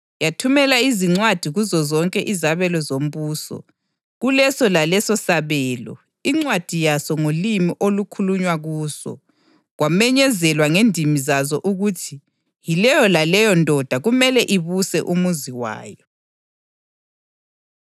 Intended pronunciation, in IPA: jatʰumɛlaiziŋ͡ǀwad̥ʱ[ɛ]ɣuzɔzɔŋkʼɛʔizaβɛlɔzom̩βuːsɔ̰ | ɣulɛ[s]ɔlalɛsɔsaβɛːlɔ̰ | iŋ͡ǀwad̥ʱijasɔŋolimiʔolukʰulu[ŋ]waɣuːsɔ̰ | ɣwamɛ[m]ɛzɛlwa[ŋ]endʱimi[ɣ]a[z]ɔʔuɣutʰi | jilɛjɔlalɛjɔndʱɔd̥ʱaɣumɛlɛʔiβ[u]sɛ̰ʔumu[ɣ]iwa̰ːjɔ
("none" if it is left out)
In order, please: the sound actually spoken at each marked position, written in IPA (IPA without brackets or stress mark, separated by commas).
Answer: i, s, ɲ, ɲ, ŋ, z, z, u, z